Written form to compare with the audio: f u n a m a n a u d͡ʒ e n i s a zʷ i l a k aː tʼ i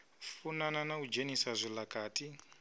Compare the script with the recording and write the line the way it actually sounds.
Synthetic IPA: f u n a n a n a u d͡ʒ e n i s a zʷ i l a k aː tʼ i